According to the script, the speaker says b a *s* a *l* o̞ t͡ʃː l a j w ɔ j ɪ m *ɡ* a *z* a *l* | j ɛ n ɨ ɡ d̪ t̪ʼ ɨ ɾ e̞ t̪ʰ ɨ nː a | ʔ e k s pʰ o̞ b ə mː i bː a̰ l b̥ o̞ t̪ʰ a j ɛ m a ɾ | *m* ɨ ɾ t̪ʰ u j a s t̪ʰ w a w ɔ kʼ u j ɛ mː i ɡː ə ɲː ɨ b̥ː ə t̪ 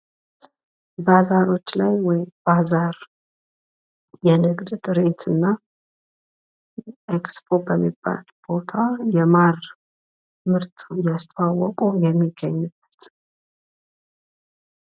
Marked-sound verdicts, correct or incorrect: incorrect: z, incorrect: ɾ, incorrect: b, correct, incorrect: ɾ, correct

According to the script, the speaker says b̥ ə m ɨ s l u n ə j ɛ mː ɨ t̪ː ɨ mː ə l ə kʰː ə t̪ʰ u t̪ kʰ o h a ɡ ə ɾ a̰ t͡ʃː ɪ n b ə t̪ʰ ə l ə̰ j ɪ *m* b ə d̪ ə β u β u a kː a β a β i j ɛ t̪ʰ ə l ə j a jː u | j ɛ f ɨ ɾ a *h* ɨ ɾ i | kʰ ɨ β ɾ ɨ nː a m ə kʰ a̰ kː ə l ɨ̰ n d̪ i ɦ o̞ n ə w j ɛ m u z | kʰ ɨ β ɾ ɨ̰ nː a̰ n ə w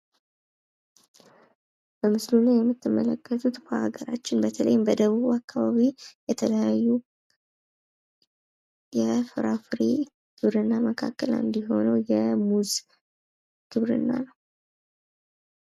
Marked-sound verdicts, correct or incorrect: correct, incorrect: f

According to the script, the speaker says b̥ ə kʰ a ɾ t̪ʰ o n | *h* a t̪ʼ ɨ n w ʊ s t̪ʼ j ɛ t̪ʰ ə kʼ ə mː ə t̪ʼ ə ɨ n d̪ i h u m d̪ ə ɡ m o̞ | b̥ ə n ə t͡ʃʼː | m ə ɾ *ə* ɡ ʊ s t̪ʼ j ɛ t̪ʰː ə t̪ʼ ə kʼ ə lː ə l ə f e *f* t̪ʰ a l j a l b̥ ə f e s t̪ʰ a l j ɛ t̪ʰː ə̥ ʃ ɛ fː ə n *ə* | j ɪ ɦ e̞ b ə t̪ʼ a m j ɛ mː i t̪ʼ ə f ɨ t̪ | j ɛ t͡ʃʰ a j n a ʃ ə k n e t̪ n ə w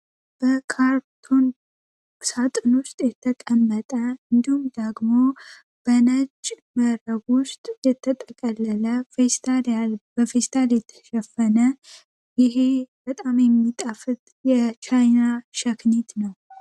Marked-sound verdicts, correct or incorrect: incorrect: s, correct, incorrect: s, correct

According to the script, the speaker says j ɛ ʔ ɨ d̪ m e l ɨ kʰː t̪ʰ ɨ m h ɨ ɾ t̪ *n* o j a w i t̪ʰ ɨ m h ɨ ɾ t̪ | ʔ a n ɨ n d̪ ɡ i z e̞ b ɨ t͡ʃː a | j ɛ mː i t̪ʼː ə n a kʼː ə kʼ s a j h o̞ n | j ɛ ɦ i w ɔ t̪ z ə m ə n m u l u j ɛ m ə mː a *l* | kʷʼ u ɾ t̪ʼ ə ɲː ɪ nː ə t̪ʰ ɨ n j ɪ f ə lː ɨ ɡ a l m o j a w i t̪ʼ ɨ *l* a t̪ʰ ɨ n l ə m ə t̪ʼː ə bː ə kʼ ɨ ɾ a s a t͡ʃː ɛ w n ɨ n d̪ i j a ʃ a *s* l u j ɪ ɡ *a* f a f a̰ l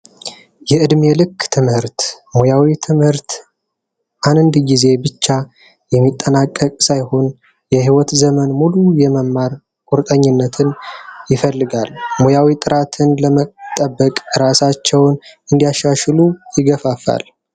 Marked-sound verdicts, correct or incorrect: incorrect: m, incorrect: ɾ, incorrect: ɾ, incorrect: ʃ, incorrect: ə

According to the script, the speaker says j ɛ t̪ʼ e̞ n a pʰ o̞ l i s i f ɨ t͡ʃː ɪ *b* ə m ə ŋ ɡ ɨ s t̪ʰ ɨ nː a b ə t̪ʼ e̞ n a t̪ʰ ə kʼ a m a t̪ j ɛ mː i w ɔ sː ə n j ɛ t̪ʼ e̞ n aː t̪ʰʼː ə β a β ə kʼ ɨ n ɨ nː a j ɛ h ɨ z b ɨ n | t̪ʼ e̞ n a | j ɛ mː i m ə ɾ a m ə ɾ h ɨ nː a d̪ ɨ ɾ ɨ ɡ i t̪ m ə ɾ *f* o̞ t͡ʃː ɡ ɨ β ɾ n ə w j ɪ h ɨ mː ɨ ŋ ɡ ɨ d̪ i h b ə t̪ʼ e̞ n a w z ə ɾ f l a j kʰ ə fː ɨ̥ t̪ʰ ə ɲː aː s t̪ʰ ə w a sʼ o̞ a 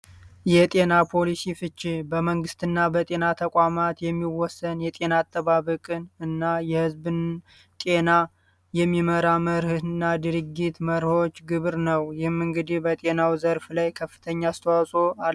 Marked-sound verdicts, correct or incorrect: correct, incorrect: h

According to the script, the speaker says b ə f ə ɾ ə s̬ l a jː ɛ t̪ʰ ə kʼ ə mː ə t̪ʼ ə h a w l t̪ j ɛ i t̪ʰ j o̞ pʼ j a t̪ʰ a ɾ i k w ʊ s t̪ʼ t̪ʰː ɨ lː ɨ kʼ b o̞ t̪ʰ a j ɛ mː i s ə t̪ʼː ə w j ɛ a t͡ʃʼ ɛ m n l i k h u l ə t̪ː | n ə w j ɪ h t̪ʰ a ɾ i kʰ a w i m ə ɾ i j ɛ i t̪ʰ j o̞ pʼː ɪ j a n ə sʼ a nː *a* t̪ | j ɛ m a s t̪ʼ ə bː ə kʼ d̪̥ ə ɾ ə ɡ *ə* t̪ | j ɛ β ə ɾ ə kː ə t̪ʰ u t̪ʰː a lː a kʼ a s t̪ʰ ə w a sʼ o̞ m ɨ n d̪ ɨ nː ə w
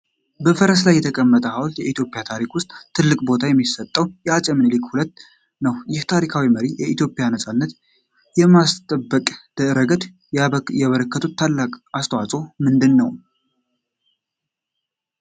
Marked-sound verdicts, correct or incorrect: incorrect: ə, correct

